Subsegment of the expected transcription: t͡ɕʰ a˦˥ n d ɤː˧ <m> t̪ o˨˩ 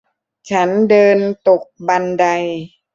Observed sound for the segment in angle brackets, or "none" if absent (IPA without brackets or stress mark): n